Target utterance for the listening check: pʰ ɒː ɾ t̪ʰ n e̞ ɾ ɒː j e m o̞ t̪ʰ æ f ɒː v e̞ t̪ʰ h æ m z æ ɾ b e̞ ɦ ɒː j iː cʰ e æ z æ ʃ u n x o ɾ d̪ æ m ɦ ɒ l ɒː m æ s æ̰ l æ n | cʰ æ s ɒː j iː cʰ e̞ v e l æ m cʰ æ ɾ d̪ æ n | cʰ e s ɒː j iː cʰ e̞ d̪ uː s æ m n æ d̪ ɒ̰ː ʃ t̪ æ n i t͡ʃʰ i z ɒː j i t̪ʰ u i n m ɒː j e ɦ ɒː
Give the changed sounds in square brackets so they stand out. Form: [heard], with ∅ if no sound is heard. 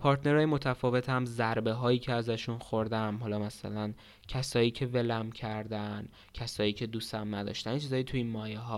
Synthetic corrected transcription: pʰ ɒː ɾ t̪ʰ n e̞ ɾ ɒː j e m o̞ t̪ʰ æ f ɒː v e̞ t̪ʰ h æ m z æ ɾ b e̞ ɦ ɒː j iː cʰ e æ z æ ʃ u n x o ɾ d̪ æ m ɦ ɒ l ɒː m æ s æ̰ l æ n | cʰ æ s ɒː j iː cʰ e̞ v e l æ m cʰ æ ɾ d̪ æ n | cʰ [æ] s ɒː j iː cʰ e̞ d̪ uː s æ m n æ d̪ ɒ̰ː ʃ t̪ æ n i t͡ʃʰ i z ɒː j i t̪ʰ u i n m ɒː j e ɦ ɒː